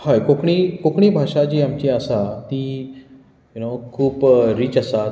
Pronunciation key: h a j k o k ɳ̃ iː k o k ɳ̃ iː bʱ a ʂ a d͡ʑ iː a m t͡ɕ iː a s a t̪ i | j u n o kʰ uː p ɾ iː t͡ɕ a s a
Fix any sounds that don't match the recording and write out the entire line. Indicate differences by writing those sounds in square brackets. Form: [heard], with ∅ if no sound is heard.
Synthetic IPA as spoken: h a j k o k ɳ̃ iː k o k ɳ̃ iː bʱ a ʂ a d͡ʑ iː a m t͡ɕ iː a s a t̪ i | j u n o kʰ uː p ɾ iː t͡ɕ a s a